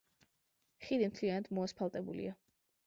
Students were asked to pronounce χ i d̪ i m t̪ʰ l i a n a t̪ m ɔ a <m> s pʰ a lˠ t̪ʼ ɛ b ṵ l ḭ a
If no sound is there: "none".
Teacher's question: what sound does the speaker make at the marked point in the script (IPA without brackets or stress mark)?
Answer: none